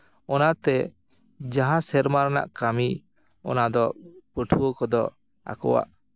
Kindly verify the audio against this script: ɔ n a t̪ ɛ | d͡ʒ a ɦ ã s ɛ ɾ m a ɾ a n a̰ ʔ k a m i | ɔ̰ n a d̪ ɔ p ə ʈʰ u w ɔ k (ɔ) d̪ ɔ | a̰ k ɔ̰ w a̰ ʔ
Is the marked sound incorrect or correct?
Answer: correct